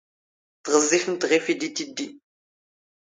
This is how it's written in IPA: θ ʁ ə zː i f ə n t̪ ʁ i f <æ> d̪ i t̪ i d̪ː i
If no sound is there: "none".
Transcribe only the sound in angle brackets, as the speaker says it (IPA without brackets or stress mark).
i